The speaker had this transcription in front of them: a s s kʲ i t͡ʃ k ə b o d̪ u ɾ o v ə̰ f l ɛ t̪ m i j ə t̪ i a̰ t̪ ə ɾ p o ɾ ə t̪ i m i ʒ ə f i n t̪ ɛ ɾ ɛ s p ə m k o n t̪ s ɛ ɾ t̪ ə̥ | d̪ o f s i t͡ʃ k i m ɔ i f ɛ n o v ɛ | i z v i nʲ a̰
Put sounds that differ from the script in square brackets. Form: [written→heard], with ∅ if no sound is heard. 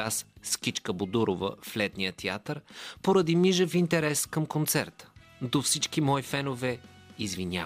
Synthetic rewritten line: a s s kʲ i t͡ʃ k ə b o d̪ u ɾ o v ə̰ f l ɛ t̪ [m→n] i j ə t̪ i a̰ t̪ ə ɾ p o ɾ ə [t̪→d̪] i m i ʒ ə f i n t̪ ɛ ɾ ɛ s [p→k] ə m k o n t̪ s ɛ ɾ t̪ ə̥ | d̪ o f s i t͡ʃ k i m ɔ i f ɛ n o v ɛ | i z v i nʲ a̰